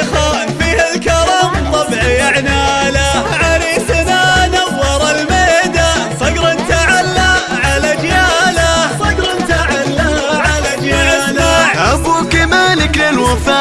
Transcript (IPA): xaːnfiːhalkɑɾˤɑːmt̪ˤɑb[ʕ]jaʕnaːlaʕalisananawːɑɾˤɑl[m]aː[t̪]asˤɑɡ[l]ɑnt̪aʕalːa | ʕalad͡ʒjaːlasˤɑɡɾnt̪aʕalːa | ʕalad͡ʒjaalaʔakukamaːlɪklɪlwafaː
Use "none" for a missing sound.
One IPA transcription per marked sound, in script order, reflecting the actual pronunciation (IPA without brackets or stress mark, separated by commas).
ʕ, m, d̪, ɾ